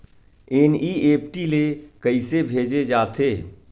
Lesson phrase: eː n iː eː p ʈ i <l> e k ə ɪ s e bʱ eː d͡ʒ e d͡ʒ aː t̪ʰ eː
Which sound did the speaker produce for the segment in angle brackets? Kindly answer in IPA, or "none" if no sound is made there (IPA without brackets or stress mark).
l